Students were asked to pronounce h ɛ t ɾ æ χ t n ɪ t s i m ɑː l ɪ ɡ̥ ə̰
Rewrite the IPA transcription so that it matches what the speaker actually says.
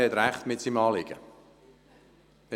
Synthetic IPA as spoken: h ɛ t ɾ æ χ t m ɪ t s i m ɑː l ɪ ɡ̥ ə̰